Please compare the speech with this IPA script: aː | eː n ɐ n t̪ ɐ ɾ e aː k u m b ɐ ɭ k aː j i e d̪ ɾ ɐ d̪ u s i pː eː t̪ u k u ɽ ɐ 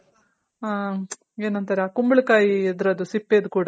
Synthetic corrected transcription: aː | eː n ɐ n t̪ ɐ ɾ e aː k u m b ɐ ɭ k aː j i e d̪ ɾ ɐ d̪ u s i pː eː d̪ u k uː ɽ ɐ